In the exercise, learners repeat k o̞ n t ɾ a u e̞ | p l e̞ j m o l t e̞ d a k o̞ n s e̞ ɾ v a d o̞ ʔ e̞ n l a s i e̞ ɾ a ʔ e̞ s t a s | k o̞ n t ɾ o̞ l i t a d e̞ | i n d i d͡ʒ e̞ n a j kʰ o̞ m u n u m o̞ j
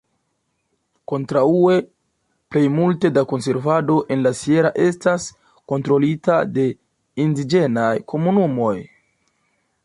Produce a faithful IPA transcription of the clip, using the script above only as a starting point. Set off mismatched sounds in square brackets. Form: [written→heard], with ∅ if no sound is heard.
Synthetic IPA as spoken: k o̞ n t ɾ a u e̞ | p l e̞ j m [o→u] l t e̞ d a k o̞ n s e̞ ɾ v a d o̞ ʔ e̞ n l a s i e̞ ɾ a ʔ e̞ s t a s | k o̞ n t ɾ o̞ l i t a d e̞ | i n d i d͡ʒ e̞ n a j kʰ o̞ m u n u m o̞ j